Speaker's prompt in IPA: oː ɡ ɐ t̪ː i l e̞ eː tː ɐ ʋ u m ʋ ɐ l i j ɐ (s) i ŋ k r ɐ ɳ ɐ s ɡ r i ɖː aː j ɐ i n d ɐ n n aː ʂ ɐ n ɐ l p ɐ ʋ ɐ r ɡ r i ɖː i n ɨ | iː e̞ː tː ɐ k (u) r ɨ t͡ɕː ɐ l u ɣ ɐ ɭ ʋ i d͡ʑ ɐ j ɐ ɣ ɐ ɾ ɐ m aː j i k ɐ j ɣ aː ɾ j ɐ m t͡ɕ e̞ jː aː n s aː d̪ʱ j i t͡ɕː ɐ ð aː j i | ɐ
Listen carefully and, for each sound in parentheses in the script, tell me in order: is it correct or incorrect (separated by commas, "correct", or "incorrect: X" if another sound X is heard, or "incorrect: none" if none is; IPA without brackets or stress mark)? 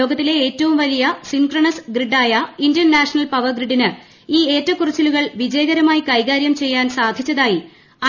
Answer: correct, correct